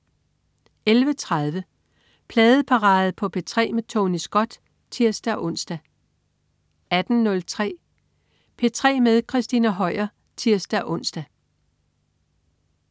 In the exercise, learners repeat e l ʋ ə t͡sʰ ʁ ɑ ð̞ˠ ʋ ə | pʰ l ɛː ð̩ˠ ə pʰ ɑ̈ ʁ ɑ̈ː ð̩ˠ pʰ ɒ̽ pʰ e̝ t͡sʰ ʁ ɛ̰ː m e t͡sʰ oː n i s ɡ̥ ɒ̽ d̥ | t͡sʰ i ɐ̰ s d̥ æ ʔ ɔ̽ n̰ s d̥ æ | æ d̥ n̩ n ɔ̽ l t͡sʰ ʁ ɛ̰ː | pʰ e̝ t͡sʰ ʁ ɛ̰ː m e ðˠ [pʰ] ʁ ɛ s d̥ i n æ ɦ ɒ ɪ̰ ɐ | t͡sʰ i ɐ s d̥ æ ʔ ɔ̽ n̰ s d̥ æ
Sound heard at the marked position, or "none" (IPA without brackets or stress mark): kʰ